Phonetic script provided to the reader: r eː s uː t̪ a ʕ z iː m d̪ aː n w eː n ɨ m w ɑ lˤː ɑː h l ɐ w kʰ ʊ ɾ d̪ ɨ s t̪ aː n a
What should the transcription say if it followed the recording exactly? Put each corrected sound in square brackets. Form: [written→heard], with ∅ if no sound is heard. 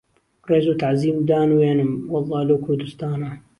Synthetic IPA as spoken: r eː [s→z] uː t̪ a ʕ z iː m d̪ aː n w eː n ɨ m w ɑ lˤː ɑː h l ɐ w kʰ ʊ ɾ d̪ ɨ s t̪ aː n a

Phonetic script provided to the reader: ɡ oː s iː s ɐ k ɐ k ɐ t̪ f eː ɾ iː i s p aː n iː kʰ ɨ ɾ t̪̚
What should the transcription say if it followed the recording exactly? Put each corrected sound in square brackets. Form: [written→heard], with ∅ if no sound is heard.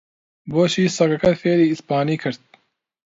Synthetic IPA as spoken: [ɡ→b] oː [s→ʃ] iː s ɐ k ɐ k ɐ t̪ f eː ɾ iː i s p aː n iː kʰ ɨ ɾ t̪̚

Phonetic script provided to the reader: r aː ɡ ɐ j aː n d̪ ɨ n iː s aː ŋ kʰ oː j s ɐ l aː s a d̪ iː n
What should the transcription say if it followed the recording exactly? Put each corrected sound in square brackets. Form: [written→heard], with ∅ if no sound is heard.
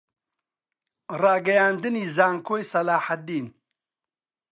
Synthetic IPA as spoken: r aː ɡ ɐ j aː n d̪ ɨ n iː [s→z] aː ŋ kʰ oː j s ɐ l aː [s→ħ] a d̪ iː n

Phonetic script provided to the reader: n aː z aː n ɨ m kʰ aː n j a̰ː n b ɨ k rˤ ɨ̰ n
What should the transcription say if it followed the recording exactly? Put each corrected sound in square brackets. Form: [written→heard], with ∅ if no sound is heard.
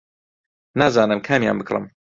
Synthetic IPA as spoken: n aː z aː n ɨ m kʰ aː [n→m] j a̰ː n b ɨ k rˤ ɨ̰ [n→m]

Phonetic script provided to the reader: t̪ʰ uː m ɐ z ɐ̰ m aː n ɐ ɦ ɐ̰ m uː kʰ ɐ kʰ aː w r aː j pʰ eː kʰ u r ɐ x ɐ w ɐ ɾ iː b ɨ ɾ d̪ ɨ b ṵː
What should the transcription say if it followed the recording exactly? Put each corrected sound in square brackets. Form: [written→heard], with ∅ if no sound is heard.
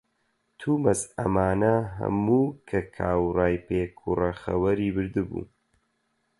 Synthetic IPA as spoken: t̪ʰ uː m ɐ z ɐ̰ m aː n ɐ ɦ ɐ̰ m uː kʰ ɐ kʰ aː w r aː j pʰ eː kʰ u r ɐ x ɐ w ɐ ɾ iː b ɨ ɾ d̪ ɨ b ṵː

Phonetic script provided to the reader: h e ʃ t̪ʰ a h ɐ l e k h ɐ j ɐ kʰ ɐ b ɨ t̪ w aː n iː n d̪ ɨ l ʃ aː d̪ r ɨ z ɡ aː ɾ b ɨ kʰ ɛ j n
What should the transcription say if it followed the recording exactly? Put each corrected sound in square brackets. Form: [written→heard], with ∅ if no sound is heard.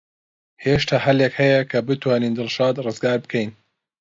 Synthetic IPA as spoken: h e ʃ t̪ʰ a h ɐ l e k h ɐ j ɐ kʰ ɐ b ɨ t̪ w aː n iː n d̪ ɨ l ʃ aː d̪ r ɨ z ɡ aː ɾ b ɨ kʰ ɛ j n

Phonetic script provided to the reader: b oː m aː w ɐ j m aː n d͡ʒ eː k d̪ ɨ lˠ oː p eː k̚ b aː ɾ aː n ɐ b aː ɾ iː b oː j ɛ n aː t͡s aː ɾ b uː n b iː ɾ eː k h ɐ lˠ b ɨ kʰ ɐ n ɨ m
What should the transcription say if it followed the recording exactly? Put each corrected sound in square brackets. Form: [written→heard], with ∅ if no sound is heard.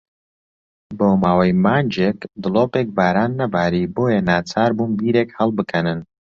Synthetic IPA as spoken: b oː m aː w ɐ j m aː n d͡ʒ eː k d̪ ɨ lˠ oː p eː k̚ b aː ɾ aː [n→nː] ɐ b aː ɾ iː b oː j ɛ n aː t͡s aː ɾ b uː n b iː ɾ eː k h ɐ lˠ b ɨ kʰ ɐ n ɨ [m→n]

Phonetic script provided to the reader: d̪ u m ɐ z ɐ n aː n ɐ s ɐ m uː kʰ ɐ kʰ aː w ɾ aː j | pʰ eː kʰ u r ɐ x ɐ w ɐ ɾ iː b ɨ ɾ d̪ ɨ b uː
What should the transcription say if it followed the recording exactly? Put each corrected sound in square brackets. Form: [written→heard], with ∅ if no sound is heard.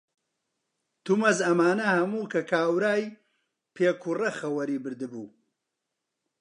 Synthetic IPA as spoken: [d̪→t̪] u m ɐ z ɐ [n→m] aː n ɐ [s→h] ɐ m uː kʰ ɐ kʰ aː w ɾ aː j | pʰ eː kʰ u r ɐ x ɐ w ɐ ɾ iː b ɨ ɾ d̪ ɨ b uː

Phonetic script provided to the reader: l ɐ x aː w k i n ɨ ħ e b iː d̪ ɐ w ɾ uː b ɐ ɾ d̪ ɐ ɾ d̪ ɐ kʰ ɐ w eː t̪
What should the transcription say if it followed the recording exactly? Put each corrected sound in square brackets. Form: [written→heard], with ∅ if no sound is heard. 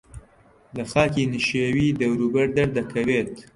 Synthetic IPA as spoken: l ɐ x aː [w→∅] k i n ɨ [ħ→ʃ] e [b→w] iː d̪ ɐ w ɾ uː b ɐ ɾ d̪ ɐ ɾ d̪ ɐ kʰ ɐ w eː t̪

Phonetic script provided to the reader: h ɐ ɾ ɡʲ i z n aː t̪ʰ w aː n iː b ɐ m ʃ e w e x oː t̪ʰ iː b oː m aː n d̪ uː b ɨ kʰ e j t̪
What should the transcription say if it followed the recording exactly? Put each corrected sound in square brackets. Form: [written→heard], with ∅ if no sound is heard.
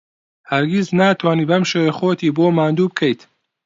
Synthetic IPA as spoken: h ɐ ɾ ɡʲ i z n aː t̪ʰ w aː n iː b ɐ m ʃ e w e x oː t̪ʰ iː b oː m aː n d̪ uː b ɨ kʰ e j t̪

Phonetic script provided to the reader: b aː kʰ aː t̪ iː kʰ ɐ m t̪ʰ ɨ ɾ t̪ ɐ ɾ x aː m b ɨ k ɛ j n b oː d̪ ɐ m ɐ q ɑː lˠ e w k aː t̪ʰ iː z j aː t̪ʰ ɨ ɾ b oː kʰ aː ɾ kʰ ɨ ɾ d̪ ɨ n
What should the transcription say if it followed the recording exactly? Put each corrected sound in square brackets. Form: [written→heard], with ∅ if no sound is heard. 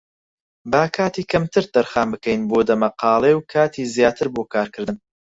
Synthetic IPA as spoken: b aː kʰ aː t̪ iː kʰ ɐ m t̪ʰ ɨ ɾ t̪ ɐ ɾ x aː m b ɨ k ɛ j n b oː d̪ ɐ m ɐ q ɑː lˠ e w [k→kʰ] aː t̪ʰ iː z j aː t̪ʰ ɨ ɾ b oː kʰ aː ɾ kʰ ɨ ɾ d̪ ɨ n

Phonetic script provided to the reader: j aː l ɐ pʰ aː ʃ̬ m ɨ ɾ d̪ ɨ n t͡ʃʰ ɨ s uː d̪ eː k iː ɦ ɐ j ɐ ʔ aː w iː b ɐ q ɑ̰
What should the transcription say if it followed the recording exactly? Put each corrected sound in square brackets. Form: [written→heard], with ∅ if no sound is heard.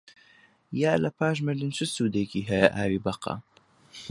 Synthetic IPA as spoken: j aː l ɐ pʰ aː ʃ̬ m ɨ ɾ d̪ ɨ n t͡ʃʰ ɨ s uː d̪ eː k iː ɦ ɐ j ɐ ʔ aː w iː b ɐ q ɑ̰

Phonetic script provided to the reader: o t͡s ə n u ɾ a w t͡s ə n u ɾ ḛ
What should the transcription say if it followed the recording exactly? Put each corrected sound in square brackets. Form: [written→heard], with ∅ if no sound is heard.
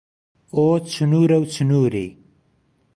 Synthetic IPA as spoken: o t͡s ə n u ɾ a w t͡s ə n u ɾ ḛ

